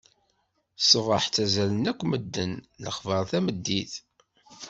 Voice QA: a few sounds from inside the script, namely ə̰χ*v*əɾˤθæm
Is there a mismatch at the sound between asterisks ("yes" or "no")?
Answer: no